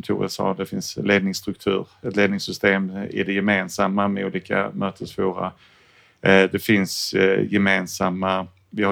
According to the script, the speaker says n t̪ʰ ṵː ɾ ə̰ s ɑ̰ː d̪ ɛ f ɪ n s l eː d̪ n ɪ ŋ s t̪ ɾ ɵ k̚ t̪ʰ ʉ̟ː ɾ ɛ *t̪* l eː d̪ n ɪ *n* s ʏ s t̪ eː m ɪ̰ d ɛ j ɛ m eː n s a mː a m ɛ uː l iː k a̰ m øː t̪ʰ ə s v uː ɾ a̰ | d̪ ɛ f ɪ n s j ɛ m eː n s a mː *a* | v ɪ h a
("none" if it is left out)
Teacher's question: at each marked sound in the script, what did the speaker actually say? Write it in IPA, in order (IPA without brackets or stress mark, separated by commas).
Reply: t̪, ŋ, a